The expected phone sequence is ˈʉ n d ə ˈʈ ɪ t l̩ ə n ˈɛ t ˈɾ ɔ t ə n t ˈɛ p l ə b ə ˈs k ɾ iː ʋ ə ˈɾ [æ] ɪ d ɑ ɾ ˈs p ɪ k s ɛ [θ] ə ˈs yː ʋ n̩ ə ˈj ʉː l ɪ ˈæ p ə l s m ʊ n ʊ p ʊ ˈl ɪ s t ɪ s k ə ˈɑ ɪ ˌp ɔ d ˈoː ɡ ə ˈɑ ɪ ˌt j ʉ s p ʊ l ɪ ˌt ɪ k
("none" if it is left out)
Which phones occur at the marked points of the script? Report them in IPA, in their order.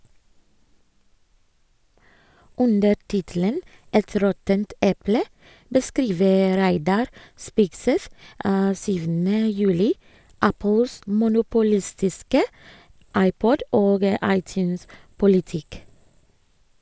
æ, θ

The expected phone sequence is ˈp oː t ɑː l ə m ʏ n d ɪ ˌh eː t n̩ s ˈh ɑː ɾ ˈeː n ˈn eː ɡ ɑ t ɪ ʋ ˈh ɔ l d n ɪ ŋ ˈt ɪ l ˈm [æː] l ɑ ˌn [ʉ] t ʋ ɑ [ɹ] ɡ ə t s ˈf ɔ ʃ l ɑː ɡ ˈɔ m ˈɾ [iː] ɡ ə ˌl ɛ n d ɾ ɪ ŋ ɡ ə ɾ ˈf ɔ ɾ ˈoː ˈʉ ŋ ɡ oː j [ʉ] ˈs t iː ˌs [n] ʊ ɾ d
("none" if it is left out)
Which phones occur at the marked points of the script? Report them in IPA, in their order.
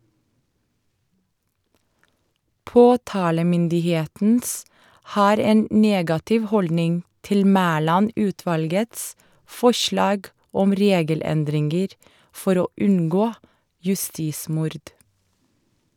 æː, ʉː, l, eː, ʉ, m

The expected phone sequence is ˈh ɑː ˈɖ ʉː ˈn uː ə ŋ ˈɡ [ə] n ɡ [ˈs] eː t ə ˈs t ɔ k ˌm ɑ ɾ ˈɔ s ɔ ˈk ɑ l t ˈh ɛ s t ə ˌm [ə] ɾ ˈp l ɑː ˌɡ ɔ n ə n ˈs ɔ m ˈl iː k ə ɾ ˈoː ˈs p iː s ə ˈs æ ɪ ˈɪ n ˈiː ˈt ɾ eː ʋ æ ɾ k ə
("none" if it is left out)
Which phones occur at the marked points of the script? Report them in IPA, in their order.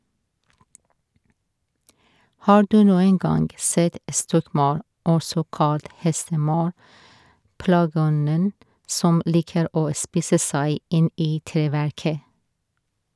ɑ, s, ɑ

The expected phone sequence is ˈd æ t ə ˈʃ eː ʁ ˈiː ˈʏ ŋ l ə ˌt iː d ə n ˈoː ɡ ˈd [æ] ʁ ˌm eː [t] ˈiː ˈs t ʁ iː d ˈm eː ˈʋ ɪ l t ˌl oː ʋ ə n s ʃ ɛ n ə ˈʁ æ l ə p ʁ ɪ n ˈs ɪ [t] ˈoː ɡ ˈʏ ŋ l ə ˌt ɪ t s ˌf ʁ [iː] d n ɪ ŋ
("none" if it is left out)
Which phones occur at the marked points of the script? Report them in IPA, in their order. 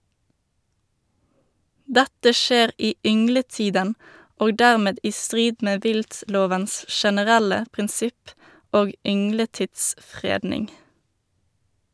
æ, d, p, eː

